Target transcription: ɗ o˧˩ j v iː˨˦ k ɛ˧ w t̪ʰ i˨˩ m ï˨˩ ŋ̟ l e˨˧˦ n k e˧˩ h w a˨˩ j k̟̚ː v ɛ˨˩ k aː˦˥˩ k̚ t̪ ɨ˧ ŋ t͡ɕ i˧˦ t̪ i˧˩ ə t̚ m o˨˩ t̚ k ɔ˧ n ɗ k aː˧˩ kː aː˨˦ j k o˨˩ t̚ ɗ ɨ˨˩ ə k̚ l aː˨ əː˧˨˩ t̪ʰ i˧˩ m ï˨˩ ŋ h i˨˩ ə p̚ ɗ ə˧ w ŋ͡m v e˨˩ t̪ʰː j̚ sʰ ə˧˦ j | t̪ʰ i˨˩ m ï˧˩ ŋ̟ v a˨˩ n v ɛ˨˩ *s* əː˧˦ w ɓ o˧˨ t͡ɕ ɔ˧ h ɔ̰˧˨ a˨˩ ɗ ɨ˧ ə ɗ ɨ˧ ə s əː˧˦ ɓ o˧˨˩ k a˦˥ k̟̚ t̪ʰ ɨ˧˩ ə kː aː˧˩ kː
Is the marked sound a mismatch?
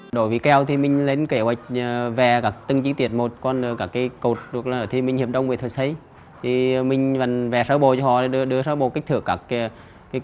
no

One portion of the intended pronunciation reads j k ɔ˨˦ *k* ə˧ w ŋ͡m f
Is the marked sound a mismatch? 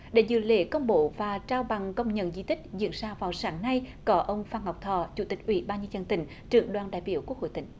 yes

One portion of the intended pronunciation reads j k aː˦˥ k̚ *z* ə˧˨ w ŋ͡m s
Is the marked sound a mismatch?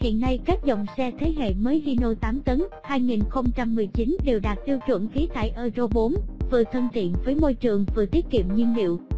no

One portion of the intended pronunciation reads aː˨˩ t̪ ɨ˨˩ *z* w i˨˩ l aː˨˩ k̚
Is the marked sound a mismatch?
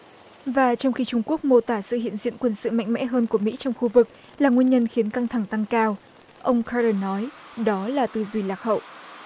no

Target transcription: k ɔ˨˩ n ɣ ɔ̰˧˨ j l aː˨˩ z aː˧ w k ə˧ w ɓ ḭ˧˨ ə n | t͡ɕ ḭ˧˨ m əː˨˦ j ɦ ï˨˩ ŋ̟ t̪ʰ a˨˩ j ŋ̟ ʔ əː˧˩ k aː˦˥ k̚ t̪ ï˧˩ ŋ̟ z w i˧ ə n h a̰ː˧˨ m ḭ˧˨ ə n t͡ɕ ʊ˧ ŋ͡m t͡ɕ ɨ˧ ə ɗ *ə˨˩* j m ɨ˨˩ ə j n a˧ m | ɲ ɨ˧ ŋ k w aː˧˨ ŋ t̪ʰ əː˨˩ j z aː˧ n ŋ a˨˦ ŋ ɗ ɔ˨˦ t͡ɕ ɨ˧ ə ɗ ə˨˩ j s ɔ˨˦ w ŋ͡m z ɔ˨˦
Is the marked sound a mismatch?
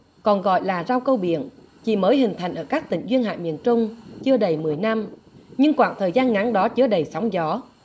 no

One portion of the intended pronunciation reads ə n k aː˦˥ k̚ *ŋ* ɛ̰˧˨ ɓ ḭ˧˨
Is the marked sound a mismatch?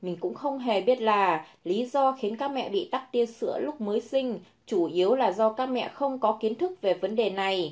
yes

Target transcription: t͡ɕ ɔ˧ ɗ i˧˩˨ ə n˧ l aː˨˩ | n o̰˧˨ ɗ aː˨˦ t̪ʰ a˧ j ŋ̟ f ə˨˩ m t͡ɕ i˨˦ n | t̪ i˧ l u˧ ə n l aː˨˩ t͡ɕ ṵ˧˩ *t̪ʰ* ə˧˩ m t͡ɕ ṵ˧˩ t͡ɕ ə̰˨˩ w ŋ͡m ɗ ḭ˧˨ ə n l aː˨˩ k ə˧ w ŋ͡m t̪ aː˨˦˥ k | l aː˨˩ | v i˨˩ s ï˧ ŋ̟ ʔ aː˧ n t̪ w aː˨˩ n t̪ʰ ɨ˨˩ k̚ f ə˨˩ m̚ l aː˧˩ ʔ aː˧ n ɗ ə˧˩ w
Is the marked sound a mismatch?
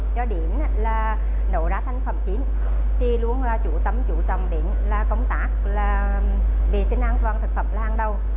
yes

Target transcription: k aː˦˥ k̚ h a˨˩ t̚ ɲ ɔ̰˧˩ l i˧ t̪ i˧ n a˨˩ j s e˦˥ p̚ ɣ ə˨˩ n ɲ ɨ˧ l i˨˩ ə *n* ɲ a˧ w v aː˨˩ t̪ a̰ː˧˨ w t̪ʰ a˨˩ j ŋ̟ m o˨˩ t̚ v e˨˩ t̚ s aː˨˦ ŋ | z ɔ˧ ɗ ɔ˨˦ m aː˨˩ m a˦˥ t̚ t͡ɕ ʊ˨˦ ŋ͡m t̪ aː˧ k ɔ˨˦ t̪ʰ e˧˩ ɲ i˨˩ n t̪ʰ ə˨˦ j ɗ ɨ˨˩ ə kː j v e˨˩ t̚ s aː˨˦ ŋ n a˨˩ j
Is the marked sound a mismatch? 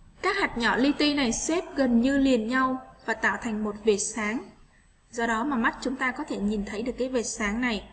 no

